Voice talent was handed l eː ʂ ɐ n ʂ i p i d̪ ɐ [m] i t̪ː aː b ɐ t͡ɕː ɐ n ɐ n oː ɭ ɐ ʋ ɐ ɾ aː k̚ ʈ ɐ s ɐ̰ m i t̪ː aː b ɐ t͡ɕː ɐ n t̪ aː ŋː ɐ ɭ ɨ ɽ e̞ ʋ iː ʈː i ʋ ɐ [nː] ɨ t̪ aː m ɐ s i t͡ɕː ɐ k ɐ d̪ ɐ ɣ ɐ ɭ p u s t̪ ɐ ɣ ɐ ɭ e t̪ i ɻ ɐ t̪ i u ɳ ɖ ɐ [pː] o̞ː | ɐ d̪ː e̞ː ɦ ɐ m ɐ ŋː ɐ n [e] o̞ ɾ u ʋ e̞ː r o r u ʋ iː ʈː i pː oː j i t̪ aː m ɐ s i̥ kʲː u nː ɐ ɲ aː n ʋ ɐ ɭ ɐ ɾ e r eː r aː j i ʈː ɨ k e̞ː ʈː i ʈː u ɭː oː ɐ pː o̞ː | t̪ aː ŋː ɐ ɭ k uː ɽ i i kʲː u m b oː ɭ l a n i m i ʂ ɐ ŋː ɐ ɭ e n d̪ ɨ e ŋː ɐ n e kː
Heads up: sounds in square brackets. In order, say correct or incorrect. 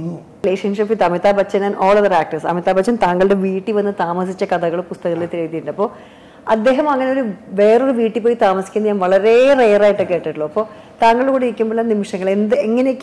correct, correct, correct, correct

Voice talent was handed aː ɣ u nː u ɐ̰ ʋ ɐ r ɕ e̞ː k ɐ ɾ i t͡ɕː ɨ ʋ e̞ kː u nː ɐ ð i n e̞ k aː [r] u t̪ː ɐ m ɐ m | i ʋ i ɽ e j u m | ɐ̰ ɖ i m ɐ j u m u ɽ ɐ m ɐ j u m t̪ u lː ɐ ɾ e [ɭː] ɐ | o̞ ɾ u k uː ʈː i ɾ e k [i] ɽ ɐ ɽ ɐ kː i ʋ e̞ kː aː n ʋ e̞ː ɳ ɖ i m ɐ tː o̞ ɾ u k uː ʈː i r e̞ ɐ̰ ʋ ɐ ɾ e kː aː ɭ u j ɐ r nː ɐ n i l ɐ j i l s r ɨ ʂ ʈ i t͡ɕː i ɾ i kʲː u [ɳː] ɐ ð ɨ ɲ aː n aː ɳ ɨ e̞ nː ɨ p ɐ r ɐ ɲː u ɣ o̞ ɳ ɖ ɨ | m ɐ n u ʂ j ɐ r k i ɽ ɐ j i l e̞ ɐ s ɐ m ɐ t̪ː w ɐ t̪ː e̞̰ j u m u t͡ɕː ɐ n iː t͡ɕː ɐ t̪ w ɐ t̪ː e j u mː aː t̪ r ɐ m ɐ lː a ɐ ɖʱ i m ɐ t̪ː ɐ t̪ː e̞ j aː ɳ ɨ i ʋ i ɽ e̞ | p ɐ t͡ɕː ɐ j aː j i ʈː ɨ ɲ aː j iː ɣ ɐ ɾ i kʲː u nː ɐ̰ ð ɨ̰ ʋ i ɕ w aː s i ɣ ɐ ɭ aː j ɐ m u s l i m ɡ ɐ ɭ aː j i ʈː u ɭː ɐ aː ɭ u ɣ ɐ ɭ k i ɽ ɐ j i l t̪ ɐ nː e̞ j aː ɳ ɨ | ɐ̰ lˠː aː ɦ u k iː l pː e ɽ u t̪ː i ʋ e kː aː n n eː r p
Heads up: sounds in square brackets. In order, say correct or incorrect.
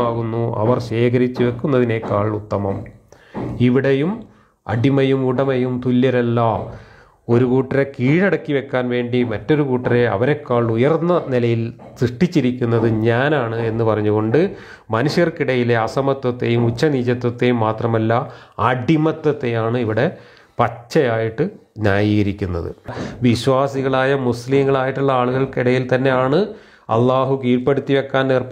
incorrect: ɭ, incorrect: lː, incorrect: iː, incorrect: nː

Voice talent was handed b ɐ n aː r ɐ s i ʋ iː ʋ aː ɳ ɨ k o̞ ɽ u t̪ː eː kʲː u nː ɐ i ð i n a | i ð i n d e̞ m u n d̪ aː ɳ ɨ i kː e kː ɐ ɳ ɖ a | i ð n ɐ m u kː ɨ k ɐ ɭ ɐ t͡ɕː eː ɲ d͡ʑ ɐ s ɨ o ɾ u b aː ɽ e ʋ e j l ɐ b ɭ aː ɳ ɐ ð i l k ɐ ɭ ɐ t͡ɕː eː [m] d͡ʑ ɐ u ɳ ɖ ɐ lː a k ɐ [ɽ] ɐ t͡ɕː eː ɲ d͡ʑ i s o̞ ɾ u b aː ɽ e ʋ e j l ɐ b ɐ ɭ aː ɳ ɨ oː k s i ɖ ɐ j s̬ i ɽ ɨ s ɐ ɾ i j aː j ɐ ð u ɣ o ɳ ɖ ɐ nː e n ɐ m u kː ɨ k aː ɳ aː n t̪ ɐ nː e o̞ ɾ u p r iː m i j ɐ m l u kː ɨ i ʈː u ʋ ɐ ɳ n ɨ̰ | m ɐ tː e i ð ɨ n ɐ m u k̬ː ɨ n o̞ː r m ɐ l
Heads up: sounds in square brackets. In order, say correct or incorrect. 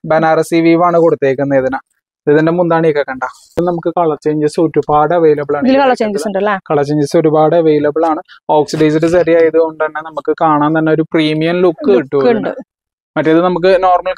incorrect: ɲ, incorrect: ɭ

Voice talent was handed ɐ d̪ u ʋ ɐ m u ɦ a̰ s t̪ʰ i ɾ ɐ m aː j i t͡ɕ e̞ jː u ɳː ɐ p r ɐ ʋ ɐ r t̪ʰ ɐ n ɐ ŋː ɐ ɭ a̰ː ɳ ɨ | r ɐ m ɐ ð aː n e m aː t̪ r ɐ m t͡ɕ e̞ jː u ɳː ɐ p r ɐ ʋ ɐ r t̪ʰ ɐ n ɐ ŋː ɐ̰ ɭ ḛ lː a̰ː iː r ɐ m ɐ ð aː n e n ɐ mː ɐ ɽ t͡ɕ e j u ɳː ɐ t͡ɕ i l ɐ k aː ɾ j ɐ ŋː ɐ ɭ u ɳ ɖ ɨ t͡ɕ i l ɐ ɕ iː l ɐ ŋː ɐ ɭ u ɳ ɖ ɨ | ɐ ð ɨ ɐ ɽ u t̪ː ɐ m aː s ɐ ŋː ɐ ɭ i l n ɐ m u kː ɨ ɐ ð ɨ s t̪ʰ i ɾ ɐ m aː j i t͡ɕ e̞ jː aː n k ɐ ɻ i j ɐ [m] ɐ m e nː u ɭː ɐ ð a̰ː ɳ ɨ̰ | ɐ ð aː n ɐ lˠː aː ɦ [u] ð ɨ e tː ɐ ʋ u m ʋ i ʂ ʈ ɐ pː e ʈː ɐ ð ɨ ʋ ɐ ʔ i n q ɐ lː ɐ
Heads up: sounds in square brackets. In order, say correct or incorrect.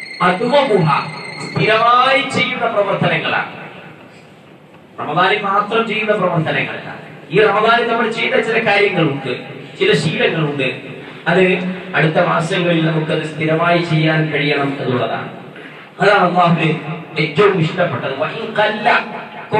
incorrect: ɳ, correct

